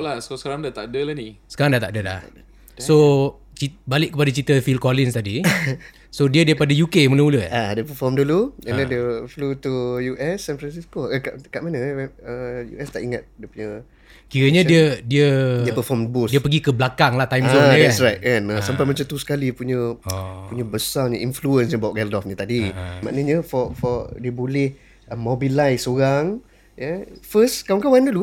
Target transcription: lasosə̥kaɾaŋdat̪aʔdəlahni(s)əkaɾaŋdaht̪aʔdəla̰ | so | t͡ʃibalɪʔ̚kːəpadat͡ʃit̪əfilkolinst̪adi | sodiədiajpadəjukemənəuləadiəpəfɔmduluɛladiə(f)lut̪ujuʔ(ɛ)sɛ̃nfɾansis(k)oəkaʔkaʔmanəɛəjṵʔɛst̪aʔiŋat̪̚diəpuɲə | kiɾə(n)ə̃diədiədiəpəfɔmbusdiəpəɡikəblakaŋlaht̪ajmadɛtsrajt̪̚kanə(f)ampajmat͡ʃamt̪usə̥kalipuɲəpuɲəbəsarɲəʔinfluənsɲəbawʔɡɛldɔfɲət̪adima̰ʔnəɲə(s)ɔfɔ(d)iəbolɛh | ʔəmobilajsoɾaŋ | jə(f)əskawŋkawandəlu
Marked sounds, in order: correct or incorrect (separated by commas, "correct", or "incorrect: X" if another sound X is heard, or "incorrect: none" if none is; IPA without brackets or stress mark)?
correct, correct, correct, correct, incorrect: ɲ, incorrect: s, incorrect: f, correct, correct